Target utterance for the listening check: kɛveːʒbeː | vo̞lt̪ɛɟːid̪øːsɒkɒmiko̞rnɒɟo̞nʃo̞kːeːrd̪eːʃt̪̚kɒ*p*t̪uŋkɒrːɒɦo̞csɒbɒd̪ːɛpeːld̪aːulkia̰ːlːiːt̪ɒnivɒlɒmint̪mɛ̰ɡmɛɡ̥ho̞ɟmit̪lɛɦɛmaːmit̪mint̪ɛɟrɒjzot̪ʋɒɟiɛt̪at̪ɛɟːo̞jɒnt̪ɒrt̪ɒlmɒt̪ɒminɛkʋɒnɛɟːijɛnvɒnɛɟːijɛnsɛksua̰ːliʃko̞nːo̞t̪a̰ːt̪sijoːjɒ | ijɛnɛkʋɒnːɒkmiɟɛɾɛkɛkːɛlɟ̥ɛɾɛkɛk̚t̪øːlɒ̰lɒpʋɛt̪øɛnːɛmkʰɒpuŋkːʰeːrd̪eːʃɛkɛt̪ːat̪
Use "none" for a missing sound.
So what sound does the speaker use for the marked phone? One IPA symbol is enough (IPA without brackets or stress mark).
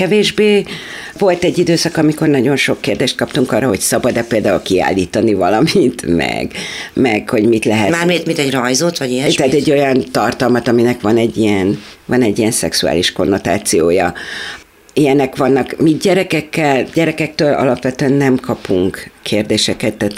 p